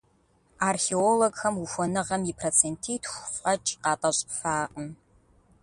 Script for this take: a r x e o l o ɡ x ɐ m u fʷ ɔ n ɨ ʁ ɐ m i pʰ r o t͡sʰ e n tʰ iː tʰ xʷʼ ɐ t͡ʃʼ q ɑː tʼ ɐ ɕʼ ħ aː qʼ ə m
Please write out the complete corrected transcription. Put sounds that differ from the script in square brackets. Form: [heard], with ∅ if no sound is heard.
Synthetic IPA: a r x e o l o ɡ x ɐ m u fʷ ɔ n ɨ ʁ ɐ m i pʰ r o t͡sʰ e n tʰ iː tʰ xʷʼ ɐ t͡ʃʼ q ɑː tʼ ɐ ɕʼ [f] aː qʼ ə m